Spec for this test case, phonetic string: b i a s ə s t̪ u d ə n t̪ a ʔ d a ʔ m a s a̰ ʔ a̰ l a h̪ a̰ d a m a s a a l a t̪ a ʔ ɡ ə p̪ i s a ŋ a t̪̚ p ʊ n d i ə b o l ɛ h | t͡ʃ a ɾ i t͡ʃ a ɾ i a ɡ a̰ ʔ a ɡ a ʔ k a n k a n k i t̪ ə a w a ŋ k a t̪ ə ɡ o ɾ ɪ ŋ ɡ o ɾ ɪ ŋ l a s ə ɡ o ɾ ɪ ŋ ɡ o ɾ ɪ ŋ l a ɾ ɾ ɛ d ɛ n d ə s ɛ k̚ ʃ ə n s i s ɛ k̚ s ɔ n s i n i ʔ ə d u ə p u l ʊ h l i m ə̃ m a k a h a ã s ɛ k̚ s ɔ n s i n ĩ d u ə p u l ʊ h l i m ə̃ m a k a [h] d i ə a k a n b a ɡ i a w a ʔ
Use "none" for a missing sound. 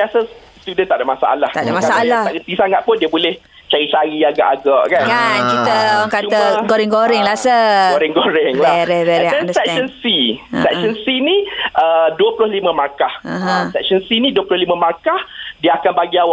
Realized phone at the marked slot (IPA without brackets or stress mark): h